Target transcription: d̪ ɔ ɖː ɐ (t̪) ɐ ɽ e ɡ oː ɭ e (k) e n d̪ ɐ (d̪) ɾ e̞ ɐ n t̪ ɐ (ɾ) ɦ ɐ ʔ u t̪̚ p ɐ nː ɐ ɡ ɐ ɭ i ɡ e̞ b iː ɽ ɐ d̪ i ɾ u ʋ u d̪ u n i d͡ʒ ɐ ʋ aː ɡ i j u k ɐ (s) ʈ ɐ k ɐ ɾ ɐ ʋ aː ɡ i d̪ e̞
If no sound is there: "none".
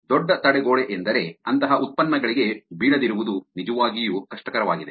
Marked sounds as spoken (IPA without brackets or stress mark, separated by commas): t̪, ʔ, none, none, ʂ